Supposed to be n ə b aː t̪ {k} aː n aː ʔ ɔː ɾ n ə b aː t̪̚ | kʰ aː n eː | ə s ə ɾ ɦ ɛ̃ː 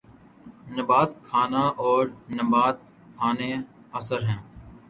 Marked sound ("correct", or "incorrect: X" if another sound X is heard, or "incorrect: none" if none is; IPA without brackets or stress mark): incorrect: kʰ